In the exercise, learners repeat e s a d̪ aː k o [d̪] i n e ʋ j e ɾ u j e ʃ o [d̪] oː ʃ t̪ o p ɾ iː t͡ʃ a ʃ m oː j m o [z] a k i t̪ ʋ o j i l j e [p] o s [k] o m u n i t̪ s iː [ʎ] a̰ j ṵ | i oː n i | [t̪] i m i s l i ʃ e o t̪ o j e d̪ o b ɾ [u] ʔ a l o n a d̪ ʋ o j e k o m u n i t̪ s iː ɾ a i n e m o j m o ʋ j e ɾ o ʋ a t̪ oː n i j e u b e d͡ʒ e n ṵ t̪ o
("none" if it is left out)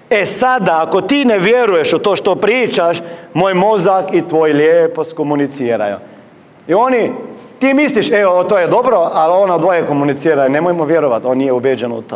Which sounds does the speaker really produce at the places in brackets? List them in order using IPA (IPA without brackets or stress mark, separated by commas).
t̪, t̪, z, p, k, ɾ, t̪, o